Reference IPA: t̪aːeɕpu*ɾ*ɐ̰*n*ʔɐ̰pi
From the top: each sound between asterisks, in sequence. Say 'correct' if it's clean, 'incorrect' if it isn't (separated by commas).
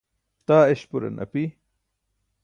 correct, correct